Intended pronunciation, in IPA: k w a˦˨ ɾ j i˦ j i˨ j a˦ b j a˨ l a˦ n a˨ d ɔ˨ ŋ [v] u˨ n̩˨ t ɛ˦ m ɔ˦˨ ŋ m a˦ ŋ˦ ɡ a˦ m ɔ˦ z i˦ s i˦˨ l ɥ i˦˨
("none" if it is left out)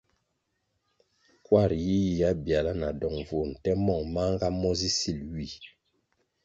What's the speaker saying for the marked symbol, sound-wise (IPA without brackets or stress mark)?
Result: v